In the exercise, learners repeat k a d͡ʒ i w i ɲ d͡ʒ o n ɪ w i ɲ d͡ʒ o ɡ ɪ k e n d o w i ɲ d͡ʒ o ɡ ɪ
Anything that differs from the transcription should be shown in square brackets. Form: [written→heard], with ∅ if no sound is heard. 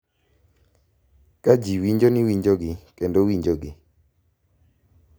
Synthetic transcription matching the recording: k a d͡ʒ i w i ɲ d͡ʒ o n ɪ w i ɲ d͡ʒ o ɡ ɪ k e n d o w i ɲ d͡ʒ o ɡ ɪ

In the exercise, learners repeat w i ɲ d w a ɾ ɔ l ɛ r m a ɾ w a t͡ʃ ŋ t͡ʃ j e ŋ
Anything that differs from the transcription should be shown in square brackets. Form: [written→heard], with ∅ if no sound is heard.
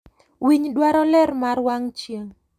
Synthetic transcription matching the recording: w i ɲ d w a ɾ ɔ l ɛ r m a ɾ w a [t͡ʃ→∅] ŋ t͡ʃ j e ŋ

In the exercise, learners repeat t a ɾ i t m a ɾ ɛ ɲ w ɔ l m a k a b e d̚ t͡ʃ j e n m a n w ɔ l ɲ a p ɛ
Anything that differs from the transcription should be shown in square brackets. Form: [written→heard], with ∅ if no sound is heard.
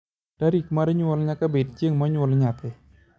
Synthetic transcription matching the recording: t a ɾ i [t→k] m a ɾ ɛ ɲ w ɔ l [m→ɲ] a k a b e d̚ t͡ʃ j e [n→ŋ] m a [n→ɲ] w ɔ l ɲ a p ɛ

